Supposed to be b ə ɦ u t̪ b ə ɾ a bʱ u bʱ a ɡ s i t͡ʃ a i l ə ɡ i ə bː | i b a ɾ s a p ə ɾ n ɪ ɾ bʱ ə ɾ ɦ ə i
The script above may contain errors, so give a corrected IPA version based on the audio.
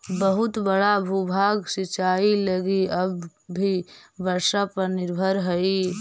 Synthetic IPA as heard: b ə ɦ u t̪ b ə ɽ a bʱ u bʱ a ɡ s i t͡ʃ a i l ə ɡ i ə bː | i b ə ɾ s a p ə ɾ n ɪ ɾ bʱ ə ɾ ɦ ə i